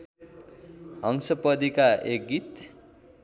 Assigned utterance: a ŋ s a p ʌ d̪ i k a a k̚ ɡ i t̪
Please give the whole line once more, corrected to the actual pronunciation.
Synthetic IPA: ʌ ŋ s ʌ p ʌ d̪ i k a e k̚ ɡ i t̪